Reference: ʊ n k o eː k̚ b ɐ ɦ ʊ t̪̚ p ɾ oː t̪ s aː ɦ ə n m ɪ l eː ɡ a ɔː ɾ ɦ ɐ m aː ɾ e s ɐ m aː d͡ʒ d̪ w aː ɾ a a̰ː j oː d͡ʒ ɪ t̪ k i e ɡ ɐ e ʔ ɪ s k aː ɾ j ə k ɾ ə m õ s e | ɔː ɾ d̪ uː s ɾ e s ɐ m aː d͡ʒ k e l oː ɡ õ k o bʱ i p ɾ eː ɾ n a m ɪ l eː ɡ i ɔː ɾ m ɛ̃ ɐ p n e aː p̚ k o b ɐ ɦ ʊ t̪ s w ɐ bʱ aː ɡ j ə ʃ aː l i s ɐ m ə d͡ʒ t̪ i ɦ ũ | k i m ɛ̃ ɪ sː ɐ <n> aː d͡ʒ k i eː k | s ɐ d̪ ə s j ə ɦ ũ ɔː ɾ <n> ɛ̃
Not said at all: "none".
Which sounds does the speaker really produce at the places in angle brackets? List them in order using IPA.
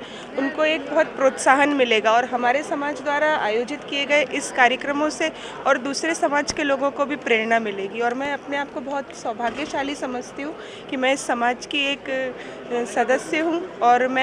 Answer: m, m

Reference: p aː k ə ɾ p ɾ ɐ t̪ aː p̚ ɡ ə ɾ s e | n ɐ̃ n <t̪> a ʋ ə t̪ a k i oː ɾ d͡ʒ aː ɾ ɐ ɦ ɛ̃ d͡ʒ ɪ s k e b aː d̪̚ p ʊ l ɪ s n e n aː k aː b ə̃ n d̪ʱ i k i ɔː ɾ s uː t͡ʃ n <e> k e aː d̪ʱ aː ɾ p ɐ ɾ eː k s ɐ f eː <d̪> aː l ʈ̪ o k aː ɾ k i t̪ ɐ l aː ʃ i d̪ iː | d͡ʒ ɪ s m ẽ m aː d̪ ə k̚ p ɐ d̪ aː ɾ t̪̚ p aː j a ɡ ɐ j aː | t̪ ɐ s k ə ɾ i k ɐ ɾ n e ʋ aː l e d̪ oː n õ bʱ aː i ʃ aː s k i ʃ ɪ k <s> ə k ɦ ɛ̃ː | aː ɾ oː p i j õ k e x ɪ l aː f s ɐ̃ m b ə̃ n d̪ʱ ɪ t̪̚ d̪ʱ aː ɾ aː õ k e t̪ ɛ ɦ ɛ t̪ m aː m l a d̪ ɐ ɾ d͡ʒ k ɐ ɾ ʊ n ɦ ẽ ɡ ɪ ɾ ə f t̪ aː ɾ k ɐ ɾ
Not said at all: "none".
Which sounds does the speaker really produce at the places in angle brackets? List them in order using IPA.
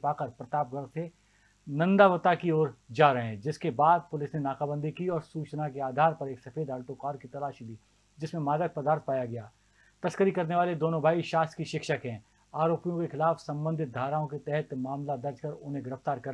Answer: d̪, a, d̪, ʃ

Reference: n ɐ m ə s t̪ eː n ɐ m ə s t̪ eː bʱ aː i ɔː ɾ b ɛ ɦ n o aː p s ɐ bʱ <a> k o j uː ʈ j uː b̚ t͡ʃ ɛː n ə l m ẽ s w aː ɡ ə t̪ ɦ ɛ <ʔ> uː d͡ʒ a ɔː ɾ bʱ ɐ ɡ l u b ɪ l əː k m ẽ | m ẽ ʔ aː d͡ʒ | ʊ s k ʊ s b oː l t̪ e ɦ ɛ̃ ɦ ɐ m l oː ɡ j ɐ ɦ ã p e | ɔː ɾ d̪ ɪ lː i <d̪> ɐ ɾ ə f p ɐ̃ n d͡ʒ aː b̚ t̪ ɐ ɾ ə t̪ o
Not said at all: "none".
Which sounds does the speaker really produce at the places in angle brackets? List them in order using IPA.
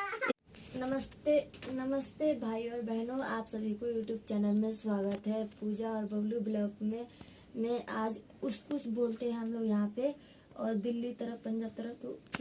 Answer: i, p, t̪

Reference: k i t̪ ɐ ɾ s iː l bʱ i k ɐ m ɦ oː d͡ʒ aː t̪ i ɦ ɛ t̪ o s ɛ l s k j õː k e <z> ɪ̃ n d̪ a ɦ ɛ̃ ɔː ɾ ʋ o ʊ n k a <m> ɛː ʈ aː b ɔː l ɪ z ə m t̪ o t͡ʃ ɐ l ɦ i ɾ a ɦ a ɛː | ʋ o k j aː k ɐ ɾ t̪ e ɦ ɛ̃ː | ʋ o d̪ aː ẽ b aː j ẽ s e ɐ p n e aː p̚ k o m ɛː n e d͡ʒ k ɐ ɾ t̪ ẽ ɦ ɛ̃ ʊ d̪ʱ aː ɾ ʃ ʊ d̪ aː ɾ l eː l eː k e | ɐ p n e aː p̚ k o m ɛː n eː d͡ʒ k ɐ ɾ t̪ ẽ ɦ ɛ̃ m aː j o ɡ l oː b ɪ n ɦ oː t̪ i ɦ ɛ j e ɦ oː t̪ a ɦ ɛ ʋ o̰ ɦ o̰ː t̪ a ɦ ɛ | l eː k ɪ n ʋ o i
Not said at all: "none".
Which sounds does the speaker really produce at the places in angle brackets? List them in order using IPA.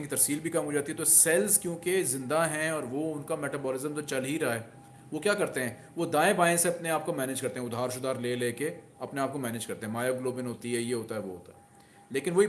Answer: z, m

